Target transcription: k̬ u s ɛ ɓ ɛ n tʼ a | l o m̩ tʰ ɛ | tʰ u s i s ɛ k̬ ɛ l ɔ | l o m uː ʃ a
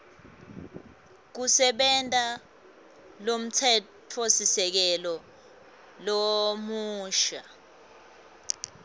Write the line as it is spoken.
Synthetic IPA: k̬ u s ɛ ɓ ɛ n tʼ a | l o m̩ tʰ ɛ | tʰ o s i s ɛ k̬ ɛ l ɔ | l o m uː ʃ a